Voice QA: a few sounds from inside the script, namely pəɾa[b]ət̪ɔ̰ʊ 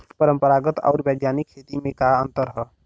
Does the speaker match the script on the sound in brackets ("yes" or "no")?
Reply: no